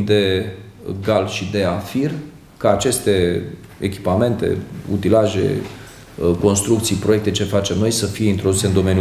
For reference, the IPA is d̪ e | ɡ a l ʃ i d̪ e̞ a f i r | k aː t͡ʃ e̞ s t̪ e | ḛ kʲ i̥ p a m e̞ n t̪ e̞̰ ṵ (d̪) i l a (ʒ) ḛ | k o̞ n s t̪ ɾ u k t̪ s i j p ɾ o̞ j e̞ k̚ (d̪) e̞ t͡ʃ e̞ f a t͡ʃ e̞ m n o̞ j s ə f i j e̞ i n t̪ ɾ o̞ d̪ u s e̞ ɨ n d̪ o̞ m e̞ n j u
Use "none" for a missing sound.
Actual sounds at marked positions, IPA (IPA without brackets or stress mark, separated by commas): t̪, ʒ, t̪